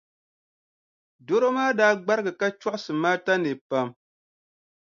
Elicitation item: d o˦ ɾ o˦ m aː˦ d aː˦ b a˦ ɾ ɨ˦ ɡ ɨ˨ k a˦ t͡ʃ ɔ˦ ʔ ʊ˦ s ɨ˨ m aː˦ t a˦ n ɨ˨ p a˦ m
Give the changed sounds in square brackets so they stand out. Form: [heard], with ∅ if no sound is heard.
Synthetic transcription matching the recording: d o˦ ɾ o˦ m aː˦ d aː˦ [ɡ͡b] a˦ ɾ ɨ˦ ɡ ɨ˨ k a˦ t͡ʃ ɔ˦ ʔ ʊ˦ s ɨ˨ m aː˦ t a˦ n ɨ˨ p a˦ m